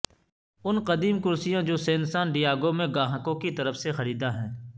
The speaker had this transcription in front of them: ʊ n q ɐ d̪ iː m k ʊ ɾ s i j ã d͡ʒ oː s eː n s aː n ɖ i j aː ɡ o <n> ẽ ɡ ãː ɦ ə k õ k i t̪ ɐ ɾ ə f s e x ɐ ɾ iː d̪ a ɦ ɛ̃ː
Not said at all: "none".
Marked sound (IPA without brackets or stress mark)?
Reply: m